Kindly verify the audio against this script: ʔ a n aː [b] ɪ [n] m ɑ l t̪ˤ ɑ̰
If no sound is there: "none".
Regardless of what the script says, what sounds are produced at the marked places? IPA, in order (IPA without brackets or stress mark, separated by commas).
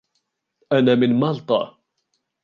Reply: m, n